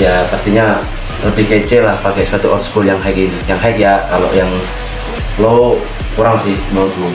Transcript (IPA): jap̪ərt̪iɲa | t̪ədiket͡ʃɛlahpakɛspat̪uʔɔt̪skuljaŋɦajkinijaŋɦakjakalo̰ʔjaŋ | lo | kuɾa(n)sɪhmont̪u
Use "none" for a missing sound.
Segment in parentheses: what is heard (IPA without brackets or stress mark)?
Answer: ŋ